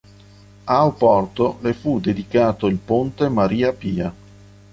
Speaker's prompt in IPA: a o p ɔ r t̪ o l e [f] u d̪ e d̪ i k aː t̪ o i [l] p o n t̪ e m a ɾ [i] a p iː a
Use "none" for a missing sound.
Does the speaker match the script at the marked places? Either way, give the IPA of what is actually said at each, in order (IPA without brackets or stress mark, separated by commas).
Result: f, l, iː